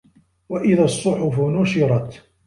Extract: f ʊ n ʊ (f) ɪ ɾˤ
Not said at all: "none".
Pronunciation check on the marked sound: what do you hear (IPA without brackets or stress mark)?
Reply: ʃ